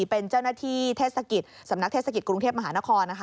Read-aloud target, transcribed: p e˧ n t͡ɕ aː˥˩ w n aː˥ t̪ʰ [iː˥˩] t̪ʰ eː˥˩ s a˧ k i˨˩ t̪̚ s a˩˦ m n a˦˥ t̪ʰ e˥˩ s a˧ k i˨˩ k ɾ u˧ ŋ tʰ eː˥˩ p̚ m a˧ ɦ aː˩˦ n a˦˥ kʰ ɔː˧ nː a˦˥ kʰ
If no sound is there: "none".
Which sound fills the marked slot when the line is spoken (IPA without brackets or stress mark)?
iː˥˩